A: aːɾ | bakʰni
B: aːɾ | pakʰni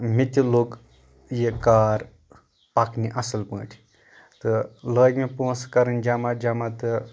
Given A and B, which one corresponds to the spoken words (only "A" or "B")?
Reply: B